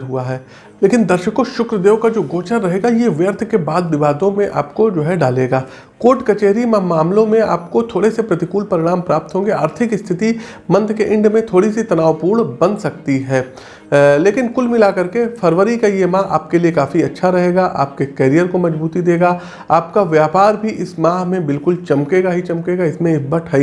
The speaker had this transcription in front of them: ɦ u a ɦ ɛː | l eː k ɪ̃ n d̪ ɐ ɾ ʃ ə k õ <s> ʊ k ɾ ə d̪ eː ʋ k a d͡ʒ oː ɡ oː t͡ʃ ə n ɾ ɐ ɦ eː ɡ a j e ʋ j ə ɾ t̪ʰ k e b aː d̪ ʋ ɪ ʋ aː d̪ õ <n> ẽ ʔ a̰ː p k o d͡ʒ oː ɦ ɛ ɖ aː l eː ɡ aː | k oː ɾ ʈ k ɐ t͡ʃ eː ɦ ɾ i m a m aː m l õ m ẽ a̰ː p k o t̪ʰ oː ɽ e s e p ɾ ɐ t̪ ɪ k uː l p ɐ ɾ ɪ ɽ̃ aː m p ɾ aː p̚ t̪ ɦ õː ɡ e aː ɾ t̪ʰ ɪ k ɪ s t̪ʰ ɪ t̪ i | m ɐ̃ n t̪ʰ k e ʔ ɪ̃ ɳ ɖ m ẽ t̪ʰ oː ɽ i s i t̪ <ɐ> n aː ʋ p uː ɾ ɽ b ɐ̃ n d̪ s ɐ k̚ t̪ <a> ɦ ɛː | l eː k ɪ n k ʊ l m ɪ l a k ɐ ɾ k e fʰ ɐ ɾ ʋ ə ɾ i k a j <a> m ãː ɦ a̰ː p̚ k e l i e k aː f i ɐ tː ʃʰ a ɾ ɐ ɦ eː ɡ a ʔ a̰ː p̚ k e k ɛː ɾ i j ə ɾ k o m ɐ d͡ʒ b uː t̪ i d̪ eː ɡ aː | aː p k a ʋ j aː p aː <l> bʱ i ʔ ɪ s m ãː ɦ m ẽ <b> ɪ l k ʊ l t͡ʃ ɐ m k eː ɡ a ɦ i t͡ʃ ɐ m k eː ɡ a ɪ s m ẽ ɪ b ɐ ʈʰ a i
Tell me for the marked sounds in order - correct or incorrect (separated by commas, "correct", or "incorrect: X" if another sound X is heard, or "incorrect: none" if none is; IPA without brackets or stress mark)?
incorrect: ʃ, incorrect: m, correct, incorrect: i, incorrect: e, incorrect: ɾ, correct